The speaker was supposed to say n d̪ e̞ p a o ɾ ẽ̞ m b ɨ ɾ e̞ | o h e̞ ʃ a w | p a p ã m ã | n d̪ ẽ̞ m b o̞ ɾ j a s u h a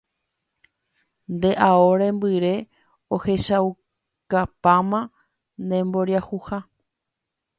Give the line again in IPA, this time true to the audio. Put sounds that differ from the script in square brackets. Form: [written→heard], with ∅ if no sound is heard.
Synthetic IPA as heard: n d̪ e̞ [p→ʔ] a o ɾ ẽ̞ m b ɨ ɾ e̞ | o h e̞ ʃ a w | [p→k] a p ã m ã | n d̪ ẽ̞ m b o̞ ɾ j a [s→h] u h a